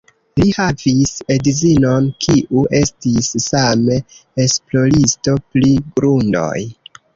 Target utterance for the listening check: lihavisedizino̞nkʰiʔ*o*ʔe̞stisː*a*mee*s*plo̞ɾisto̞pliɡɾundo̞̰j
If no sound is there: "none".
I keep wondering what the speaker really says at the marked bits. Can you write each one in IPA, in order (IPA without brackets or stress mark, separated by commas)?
u, a, s